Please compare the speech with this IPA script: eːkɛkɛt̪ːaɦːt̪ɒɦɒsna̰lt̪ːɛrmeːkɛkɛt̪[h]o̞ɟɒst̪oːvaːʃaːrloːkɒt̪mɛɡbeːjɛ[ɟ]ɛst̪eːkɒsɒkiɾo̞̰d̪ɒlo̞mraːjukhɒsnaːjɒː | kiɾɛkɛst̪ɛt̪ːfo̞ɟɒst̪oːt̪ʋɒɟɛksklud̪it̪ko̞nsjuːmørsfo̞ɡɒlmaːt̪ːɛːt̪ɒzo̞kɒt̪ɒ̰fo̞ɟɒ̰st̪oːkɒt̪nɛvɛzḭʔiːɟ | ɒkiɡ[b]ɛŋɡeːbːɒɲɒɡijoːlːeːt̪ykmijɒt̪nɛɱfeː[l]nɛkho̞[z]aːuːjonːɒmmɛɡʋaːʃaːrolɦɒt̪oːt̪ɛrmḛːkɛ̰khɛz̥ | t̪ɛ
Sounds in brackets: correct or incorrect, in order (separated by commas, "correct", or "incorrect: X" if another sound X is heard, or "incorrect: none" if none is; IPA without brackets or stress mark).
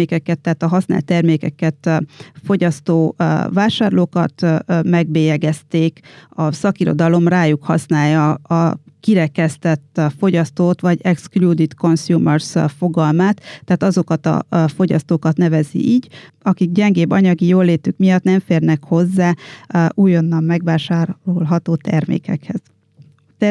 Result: incorrect: f, incorrect: ɡ, incorrect: ɟ, incorrect: r, incorrect: zː